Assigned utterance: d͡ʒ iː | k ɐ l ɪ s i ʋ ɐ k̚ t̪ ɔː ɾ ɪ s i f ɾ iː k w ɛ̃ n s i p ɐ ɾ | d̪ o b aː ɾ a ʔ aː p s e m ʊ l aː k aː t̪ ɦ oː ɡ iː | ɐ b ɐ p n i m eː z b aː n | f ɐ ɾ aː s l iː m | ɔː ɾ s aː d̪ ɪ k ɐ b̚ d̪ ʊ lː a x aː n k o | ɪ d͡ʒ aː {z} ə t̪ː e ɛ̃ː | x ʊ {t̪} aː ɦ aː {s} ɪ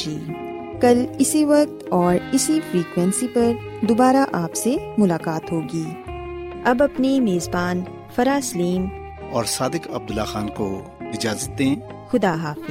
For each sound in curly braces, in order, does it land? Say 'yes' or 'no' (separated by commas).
yes, no, no